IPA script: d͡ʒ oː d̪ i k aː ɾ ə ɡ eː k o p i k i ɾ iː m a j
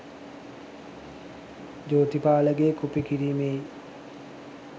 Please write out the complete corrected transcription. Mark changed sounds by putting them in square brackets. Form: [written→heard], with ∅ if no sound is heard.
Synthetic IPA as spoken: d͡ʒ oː [d̪→t̪] i [k→p] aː [ɾ→l] ə ɡ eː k [o→u] p i k i ɾ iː m [a→e] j